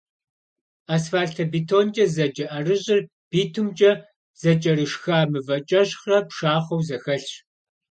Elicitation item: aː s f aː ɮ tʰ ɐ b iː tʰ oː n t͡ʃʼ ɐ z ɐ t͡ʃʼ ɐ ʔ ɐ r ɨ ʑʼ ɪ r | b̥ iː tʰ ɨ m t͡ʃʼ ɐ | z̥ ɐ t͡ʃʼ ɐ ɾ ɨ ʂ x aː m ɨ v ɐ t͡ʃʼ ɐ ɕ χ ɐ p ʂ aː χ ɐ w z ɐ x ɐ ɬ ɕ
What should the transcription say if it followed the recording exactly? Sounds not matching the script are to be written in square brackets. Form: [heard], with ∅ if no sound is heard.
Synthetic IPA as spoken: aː s f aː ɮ tʰ ɐ b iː tʰ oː n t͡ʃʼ ɐ z ɐ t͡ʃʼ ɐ ʔ ɐ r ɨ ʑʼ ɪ r | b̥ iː tʰ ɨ m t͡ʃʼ ɐ | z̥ ɐ t͡ʃʼ ɐ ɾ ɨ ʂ x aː m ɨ v ɐ t͡ʃʼ ɐ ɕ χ ɐ p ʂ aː χ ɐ w z ɐ x ɐ ɬ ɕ